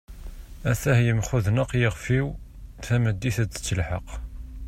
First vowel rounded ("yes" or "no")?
no